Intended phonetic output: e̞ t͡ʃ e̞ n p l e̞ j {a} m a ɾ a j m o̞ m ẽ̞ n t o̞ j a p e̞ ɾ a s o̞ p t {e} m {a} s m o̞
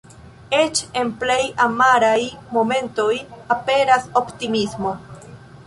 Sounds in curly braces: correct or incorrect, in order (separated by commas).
correct, incorrect, incorrect